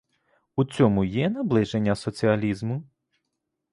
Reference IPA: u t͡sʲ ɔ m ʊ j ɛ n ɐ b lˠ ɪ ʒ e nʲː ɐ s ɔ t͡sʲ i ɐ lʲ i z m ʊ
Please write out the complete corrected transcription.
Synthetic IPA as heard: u t͡sʲ ɔ m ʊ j ɛ n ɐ b lˠ ɪ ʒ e nʲː ɐ s ɔ t͡sʲ i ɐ lʲ i z m ʊ

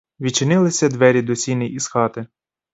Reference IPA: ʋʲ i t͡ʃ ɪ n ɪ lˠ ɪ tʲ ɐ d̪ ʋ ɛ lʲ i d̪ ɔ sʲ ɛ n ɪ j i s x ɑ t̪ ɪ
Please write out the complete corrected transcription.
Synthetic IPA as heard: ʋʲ i t͡ʃ ɪ n ɪ lˠ ɪ sʲ ɐ d̪ ʋ ɛ ɾʲ i d̪ ɔ sʲ i n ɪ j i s x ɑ t̪ ɪ

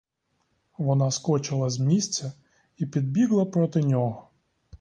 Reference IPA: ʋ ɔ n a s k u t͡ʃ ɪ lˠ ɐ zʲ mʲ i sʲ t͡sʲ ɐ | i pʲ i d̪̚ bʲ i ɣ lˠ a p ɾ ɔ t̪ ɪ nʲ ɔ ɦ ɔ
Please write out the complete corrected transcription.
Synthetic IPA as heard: ʋ ɔ n a s k ɔ t͡ʃ ɪ lˠ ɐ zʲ mʲ i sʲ t͡sʲ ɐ | i pʲ i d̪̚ bʲ i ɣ lˠ ɐ p ɾ ɔ t̪ ɪ nʲ ɔ ɦ ɔ

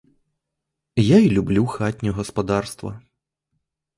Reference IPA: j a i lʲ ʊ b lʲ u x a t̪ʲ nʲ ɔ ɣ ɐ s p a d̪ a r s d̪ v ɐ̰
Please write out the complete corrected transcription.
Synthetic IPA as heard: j a i lʲ u b lʲ u x a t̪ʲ nʲ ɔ ɣ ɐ s p a d̪ a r s t̪ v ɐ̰

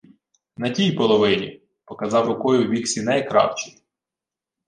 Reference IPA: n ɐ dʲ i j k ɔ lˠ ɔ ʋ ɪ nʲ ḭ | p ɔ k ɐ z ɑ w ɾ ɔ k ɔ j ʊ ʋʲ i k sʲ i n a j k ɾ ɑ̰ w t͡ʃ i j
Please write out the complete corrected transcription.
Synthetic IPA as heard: n ɐ tʲ i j p ɔ lˠ ɔ ʋ ɪ nʲ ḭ | p ɔ k ɐ z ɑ w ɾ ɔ k ɔ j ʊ ʋʲ i k sʲ i n ɛ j k ɾ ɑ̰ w t͡ʃ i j

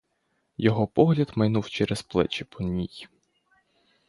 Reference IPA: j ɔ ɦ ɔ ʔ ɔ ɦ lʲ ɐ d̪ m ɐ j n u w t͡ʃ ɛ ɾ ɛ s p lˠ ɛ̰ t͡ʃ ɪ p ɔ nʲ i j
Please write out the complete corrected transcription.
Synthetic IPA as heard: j ɔ ɦ ɔ p ɔ ɦ lʲ ɐ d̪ m ɐ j n u w t͡ʃ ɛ ɾ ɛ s p lˠ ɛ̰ t͡ʃ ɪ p ɔ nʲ i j

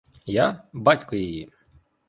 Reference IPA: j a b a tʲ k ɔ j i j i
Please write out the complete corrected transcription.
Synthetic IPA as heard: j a b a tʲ k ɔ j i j i

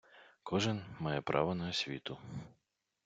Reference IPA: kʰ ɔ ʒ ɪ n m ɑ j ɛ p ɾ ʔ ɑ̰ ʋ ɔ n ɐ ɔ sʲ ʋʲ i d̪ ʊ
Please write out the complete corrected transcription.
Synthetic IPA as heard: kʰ ɔ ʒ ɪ n m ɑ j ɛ p ɾ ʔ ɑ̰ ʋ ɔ n ɐ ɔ sʲ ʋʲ i t̪ ʊ

